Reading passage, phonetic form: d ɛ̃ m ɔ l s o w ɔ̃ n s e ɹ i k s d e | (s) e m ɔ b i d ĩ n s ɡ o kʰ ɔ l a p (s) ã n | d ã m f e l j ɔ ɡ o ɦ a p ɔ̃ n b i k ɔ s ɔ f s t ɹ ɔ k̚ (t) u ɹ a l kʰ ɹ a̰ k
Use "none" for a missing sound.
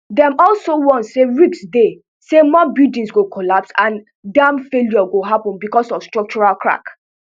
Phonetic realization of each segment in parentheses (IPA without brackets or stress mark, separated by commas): s, s, t͡ʃ